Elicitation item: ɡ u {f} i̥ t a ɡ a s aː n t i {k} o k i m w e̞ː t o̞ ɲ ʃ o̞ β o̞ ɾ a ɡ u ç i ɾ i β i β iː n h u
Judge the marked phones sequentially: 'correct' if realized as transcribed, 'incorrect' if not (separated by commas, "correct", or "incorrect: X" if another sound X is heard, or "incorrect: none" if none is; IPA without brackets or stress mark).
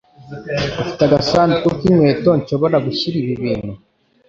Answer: correct, correct